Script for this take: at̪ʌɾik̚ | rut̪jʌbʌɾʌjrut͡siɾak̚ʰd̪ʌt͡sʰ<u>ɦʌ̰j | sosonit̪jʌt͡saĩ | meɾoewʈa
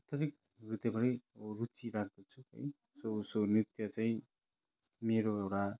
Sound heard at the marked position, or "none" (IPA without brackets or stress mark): u